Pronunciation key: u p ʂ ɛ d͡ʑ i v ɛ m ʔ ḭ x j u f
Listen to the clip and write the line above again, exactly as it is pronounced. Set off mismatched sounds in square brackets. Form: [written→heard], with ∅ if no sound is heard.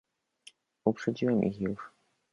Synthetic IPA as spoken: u p ʂ ɛ d͡ʑ i [v→w] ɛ m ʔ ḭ x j u [f→ʂ]